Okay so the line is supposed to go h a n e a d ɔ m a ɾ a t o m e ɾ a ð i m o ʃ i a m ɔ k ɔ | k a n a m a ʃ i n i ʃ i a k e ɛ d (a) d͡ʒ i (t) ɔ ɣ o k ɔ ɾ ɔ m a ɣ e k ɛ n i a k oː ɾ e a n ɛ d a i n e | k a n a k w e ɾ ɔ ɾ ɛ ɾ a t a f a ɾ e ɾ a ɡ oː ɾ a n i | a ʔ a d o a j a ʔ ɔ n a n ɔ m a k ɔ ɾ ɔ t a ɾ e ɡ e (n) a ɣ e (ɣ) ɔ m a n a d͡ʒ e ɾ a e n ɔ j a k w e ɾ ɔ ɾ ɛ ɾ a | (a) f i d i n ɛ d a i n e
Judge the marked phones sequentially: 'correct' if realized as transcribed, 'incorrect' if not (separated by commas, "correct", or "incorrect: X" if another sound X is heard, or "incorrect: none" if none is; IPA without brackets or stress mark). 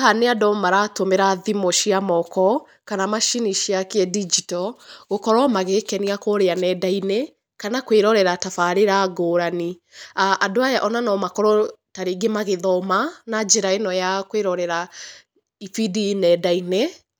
incorrect: i, correct, incorrect: m, incorrect: ð, incorrect: i